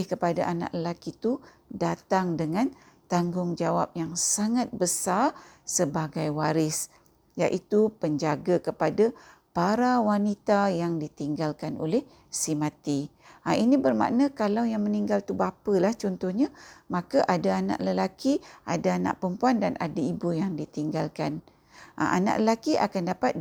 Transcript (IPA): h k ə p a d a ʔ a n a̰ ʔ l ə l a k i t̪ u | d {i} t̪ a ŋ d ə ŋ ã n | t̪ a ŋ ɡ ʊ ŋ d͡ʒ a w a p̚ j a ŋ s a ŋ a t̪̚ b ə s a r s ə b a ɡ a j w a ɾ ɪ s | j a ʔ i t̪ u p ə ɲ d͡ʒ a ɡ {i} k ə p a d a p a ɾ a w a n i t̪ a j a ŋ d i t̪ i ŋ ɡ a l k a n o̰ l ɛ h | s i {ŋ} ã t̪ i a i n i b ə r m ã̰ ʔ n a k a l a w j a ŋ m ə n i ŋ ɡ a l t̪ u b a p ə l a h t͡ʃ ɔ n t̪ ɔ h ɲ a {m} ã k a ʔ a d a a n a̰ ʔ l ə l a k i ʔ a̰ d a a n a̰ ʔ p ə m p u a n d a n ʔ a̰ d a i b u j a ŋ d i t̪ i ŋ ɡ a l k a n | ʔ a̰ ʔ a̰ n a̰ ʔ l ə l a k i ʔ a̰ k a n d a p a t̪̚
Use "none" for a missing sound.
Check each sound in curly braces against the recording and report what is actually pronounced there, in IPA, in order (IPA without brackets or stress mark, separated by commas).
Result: a, a, m, m